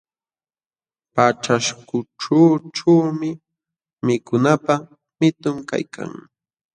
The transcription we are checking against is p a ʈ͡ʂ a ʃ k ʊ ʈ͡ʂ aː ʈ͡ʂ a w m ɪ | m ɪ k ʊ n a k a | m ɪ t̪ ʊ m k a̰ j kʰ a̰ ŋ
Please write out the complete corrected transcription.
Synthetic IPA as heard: p a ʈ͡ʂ a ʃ k ʊ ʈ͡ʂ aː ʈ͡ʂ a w m ɪ | m ɪ k ʊ n a p a | m ɪ t̪ ʊ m k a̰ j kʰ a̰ ŋ